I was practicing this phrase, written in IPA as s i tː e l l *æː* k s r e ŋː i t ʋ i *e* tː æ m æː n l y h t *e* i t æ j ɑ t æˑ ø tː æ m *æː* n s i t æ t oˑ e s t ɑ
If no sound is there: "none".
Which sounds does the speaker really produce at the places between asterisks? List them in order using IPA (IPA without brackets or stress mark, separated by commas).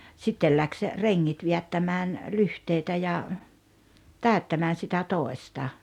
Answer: æ, æ, e, æː